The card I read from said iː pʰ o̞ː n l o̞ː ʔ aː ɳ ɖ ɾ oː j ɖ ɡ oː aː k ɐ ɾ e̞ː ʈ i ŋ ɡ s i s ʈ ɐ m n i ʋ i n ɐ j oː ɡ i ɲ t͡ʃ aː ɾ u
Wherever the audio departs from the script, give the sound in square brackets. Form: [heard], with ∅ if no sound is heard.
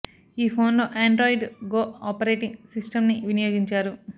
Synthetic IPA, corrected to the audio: iː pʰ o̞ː n l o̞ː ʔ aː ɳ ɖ ɾ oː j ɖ ɡ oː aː [p] ɐ ɾ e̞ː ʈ i ŋ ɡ s i s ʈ ɐ m n i ʋ i n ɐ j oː ɡ i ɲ t͡ʃ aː ɾ u